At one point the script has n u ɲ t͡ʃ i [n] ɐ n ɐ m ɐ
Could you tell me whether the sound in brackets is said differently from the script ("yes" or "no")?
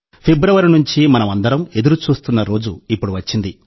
yes